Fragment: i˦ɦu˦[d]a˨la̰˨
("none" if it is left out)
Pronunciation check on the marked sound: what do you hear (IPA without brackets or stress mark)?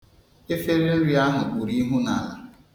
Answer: n